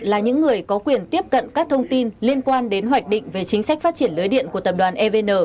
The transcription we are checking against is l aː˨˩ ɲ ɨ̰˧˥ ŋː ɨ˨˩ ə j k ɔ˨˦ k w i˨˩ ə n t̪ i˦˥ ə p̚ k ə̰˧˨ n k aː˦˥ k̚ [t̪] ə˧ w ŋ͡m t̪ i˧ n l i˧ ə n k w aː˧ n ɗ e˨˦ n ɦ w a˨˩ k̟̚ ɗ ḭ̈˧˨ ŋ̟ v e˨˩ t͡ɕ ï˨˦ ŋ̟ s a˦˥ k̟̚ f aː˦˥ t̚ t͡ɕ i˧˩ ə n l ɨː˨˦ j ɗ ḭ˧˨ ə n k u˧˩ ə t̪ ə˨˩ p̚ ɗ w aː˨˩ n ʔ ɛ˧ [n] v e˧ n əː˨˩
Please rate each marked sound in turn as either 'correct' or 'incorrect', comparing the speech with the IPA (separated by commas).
incorrect, incorrect